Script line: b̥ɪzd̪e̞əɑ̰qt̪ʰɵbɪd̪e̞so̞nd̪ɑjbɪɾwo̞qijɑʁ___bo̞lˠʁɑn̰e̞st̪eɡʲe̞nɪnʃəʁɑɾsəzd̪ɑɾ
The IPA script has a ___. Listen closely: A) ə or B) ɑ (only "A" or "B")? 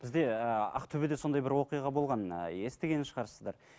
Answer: B